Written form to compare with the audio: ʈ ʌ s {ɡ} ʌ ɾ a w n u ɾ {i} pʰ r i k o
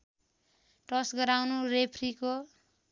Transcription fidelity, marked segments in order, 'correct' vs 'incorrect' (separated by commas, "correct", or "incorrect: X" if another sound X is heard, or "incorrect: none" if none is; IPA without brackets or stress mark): correct, incorrect: e